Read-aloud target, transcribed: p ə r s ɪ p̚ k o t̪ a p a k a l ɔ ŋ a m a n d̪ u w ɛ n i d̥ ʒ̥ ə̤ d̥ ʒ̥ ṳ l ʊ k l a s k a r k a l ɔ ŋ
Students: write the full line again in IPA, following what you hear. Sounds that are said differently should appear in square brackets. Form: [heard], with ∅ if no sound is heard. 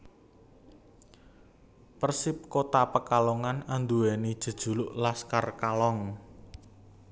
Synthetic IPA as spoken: p ə r s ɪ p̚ k o t̪ a p [ə] k a l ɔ ŋ a [n] a n d̪ u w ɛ n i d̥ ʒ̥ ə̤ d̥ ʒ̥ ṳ l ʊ [ʔ] l a s k a r k a l ɔ ŋ